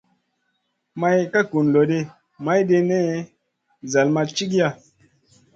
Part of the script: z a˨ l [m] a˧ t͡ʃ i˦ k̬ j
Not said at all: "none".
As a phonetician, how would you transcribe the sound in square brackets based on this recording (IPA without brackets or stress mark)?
m